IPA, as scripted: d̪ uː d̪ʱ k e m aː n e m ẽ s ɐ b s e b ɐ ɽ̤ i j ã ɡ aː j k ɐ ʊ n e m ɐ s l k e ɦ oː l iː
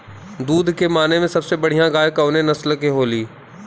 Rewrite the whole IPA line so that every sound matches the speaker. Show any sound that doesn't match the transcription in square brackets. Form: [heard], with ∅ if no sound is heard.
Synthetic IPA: d̪ uː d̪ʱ k e m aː n e m ẽ s ɐ b s e b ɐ ɽ̤ i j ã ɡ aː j k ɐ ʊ n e [n] ɐ s l k e ɦ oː l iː